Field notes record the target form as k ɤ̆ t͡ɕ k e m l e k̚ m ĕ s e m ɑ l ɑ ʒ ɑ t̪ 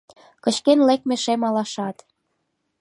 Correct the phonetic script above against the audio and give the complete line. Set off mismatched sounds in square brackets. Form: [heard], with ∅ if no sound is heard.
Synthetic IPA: k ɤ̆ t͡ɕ k e [n] l e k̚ m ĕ [ʃ] e m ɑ l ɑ [ʃ] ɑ t̪